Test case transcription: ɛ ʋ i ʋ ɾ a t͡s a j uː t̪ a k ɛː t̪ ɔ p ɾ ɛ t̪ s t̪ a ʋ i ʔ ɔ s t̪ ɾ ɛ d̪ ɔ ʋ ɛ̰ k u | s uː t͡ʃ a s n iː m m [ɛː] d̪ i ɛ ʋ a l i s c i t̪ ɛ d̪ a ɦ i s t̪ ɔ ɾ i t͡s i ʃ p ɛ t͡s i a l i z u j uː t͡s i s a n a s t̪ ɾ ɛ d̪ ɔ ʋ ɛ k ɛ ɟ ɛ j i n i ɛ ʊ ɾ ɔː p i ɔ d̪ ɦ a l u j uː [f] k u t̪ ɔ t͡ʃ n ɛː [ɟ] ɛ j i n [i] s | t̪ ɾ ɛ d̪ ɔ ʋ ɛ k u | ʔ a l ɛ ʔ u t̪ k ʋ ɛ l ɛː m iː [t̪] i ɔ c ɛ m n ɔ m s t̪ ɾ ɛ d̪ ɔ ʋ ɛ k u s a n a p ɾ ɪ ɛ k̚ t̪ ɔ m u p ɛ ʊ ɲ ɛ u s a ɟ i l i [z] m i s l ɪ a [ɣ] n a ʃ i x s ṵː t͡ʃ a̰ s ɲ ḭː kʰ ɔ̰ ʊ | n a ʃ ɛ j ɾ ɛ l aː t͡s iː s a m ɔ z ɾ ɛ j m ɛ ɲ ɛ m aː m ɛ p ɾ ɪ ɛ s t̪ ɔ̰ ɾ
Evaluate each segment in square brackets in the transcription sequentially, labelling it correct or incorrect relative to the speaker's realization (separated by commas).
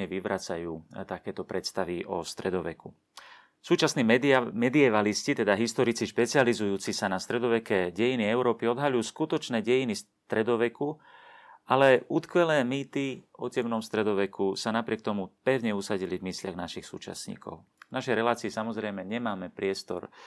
incorrect, incorrect, correct, correct, correct, incorrect, correct